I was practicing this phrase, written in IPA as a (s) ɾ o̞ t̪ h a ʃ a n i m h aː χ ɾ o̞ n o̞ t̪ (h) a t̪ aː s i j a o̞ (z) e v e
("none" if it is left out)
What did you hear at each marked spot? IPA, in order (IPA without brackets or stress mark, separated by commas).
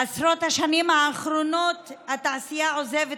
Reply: s, h, z